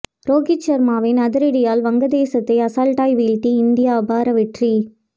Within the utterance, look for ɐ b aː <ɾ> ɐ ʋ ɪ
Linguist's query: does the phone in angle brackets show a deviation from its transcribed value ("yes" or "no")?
no